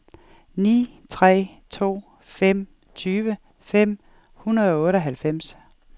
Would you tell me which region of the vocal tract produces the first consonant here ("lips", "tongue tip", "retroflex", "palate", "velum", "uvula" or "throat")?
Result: tongue tip